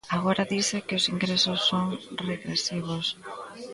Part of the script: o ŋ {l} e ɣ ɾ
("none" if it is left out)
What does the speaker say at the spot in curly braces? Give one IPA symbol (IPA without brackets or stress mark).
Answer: r